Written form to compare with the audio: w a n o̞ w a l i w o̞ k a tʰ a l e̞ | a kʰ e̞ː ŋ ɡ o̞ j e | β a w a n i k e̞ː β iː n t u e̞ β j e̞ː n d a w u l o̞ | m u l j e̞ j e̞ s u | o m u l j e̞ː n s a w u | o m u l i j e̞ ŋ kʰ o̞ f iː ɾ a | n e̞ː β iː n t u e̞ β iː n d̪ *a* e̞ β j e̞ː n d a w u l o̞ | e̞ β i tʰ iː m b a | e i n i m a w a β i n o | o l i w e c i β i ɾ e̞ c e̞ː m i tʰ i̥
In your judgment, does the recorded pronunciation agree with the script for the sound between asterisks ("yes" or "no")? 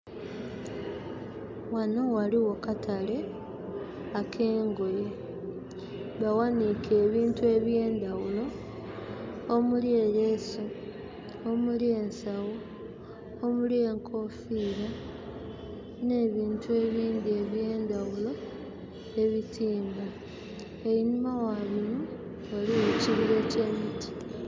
no